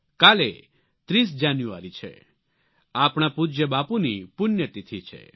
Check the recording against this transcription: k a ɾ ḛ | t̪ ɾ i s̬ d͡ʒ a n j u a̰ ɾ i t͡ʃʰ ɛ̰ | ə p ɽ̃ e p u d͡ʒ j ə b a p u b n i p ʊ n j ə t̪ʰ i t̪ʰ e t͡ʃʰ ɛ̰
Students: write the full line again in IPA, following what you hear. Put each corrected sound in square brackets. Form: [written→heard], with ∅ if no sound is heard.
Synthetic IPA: k a [ɾ→l] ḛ | t̪ ɾ i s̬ d͡ʒ a n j u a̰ ɾ i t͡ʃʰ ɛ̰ | [ə→a] p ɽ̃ [e→a] p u d͡ʒ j ə b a p u [b→∅] n i p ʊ n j ə [t̪ʰ→t̪] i t̪ʰ [e→i] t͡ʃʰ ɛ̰